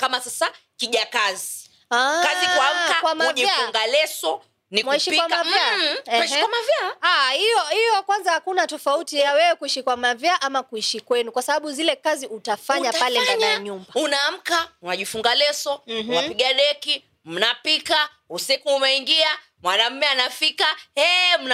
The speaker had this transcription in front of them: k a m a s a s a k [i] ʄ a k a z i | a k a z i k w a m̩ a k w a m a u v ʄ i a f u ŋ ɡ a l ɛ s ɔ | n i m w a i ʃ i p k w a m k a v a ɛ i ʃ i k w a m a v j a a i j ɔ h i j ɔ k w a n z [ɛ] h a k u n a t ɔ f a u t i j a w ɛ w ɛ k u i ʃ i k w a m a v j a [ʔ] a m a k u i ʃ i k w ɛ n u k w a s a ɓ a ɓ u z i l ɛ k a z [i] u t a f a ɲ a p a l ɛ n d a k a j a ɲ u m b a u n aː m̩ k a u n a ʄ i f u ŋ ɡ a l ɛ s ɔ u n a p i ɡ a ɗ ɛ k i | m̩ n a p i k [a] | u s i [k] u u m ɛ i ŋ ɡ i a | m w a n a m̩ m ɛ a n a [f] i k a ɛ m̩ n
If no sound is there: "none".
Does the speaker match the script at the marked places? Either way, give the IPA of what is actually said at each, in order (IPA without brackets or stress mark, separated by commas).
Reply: i, a, ʔ, i, a, k, f